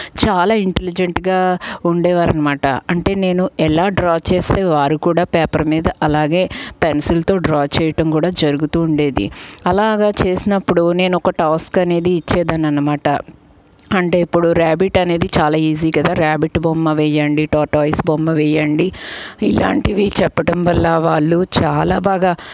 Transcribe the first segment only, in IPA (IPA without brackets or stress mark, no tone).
t͡ʃ